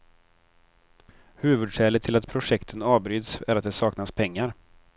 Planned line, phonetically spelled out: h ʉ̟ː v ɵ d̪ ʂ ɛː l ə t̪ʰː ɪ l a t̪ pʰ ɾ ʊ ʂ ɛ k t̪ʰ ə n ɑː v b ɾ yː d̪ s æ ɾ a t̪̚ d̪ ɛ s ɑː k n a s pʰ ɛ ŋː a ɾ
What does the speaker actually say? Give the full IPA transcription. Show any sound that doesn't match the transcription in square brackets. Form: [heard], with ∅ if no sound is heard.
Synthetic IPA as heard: h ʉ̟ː v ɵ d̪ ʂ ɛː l ə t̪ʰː ɪ l a t̪ pʰ ɾ ʊ ʂ ɛ k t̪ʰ ə n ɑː v b ɾ yː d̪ s æ ɾ a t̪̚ d̪ ɛ s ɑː k n a s pʰ ɛ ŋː a ɾ

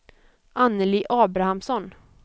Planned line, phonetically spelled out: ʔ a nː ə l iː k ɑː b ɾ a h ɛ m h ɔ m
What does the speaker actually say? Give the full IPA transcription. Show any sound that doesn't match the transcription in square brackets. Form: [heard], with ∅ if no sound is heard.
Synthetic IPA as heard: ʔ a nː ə l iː [ʔ] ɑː b ɾ a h [a] m [s] ɔ [n]

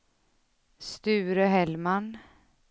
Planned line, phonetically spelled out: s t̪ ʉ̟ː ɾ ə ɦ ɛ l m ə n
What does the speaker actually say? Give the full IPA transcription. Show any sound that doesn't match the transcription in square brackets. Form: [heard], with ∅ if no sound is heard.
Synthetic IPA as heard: s t̪ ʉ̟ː ɾ ə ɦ ɛ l m [a] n

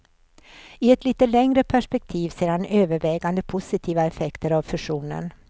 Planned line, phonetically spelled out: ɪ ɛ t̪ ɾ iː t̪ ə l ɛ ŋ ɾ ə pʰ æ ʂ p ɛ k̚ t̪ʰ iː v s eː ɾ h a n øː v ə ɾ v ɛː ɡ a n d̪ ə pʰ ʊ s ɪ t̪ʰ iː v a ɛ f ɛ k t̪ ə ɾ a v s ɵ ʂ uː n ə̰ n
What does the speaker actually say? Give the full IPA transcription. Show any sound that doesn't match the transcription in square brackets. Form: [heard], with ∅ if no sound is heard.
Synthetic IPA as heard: ɪ ɛ t̪ [l] iː t̪ ə l ɛ ŋ ɾ ə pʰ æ ʂ p ɛ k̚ t̪ʰ iː v s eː ɾ h a n øː v ə ɾ v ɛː ɡ a n d̪ ə pʰ ʊ s ɪ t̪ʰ iː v a ɛ f ɛ k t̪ ə ɾ a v [f] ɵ ʂ uː n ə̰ n

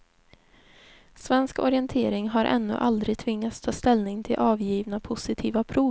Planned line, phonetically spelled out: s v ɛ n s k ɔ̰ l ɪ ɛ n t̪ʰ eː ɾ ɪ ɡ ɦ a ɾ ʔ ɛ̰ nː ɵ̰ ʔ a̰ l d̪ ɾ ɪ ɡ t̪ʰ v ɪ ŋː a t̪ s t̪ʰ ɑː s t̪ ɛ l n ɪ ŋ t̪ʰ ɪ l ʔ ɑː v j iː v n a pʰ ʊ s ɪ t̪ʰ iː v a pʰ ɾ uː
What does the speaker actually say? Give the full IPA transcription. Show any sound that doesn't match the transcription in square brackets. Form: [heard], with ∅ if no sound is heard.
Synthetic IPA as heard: s v ɛ n s k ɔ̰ [ɾ] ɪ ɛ n t̪ʰ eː ɾ ɪ [ŋ] ɦ a ɾ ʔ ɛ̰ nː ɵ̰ ʔ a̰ l d̪ ɾ ɪ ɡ t̪ʰ v ɪ ŋː a t̪ s t̪ʰ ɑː s t̪ ɛ l n ɪ ŋ t̪ʰ ɪ l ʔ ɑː v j iː v n a pʰ ʊ s ɪ t̪ʰ iː v a pʰ ɾ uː

